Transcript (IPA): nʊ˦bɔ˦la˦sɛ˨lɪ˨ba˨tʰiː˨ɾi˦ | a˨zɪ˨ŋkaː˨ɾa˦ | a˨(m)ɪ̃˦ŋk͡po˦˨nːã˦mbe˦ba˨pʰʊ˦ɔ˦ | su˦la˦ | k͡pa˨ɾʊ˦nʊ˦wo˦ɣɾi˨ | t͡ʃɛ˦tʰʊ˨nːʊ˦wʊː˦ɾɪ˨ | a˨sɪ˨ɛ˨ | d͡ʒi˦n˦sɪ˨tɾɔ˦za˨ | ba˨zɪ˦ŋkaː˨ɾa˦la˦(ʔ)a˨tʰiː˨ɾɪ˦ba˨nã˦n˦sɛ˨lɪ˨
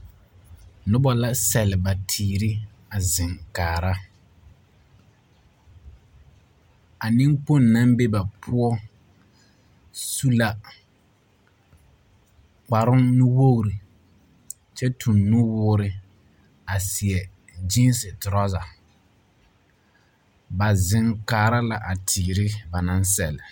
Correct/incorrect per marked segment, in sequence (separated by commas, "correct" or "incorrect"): incorrect, correct